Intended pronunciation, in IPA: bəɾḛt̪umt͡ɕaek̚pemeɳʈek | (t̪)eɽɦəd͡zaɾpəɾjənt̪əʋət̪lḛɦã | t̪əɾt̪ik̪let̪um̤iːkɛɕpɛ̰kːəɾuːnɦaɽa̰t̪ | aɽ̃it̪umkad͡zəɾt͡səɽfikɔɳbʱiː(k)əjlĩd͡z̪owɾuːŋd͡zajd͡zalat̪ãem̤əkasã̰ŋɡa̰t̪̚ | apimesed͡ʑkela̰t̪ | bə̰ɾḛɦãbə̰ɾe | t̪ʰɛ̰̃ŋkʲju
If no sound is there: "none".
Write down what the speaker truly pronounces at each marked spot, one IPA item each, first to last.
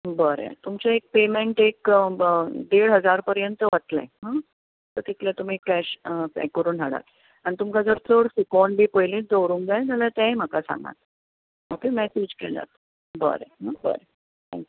d̪, p

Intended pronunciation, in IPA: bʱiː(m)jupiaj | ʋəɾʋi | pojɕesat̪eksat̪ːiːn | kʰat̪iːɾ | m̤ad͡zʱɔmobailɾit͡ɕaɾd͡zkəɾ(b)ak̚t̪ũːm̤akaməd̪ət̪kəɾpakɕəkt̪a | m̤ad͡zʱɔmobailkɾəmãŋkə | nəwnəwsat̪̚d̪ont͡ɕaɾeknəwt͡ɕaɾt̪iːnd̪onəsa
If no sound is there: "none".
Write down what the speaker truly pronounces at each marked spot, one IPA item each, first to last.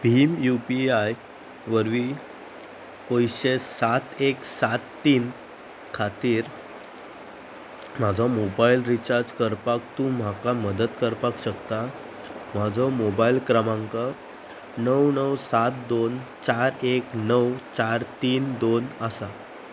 m, p

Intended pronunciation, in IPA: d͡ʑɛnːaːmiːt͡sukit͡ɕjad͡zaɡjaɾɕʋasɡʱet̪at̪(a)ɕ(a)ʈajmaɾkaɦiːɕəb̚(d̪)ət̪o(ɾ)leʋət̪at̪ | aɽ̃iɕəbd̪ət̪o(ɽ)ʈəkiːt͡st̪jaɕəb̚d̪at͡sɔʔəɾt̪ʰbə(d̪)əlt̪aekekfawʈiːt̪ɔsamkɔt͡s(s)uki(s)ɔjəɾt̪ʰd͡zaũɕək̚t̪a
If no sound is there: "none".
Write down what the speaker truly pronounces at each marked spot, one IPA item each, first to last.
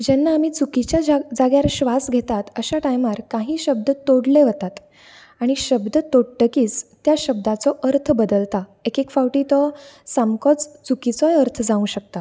ə, a, d̪, ɽ, ɽ, d̪, t͡s, t͡s

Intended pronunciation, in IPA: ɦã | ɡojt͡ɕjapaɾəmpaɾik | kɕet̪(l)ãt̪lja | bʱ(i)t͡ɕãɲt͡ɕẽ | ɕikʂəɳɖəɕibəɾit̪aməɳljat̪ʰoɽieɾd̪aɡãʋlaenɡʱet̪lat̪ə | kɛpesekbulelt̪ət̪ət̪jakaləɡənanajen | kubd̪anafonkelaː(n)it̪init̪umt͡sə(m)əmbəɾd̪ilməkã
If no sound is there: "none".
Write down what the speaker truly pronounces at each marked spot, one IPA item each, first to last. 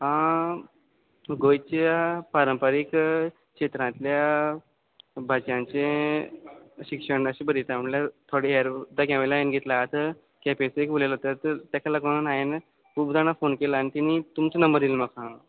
ɾ, a, n, n

